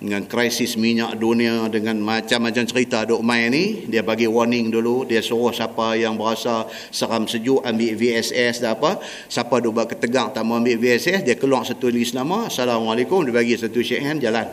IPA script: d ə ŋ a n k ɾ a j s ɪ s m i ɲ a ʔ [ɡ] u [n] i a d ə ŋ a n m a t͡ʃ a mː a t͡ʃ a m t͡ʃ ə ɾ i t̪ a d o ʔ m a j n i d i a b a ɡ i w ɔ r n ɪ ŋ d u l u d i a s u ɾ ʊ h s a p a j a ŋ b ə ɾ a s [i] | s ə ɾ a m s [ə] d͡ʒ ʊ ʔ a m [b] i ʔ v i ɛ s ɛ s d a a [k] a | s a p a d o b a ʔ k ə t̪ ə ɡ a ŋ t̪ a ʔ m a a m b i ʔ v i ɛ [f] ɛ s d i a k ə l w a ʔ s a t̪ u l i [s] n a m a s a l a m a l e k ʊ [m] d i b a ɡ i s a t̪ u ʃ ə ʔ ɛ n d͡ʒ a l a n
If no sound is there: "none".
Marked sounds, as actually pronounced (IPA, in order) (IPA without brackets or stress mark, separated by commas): d, n, a, ə, b, p, s, s, m